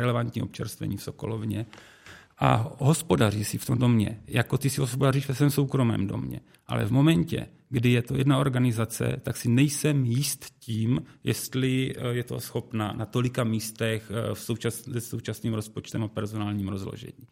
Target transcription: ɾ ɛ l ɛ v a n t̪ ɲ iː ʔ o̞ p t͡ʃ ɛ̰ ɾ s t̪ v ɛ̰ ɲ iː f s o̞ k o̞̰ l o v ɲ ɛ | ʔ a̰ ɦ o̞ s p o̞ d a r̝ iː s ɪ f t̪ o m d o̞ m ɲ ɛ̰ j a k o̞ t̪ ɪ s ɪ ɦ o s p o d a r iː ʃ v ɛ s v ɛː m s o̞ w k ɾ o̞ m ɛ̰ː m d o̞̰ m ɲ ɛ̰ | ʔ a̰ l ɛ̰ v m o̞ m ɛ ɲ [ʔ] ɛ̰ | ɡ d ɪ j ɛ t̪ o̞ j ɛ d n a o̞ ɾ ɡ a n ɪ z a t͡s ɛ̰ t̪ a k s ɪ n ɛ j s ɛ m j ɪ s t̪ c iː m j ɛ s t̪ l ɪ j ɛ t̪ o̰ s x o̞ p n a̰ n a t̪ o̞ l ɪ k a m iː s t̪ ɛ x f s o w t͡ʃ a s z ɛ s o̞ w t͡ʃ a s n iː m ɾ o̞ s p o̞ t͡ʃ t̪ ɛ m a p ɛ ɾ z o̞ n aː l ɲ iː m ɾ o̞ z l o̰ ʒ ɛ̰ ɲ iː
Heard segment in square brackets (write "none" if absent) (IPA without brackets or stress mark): c